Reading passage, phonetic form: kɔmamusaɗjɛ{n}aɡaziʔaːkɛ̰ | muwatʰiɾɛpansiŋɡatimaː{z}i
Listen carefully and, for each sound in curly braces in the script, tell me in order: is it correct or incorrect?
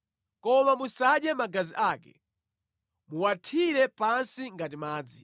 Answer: incorrect, incorrect

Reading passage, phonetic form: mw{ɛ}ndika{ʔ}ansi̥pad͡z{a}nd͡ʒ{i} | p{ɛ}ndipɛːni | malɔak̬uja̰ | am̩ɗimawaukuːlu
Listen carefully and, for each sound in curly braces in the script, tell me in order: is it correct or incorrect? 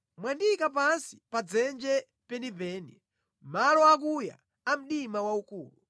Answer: incorrect, incorrect, incorrect, incorrect, correct

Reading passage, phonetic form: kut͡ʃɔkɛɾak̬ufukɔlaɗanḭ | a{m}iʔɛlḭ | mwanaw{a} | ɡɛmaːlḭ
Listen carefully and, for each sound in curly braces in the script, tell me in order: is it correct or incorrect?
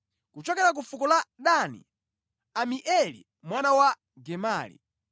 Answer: correct, correct

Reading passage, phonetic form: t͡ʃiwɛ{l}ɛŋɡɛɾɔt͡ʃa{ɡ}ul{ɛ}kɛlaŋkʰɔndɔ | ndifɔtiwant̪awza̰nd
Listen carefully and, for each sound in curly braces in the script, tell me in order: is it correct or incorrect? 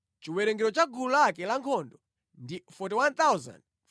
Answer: incorrect, correct, incorrect

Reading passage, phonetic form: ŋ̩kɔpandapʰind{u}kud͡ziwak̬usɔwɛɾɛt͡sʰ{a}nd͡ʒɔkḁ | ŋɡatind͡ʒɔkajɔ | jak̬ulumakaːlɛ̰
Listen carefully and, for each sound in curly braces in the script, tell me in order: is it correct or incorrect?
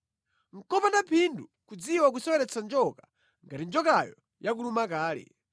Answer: correct, correct

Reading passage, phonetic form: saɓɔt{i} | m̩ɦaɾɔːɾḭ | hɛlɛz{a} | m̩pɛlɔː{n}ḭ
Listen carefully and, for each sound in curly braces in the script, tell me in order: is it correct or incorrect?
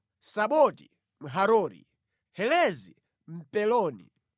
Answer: correct, incorrect, correct

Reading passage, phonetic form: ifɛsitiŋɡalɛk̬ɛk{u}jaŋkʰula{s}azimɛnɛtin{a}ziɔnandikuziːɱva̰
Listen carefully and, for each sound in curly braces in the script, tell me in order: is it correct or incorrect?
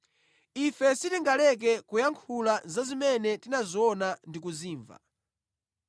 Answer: correct, incorrect, correct

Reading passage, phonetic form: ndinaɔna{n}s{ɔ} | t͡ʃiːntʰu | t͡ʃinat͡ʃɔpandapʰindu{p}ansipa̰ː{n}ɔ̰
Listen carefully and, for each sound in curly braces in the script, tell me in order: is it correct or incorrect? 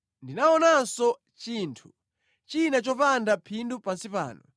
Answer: correct, correct, correct, correct

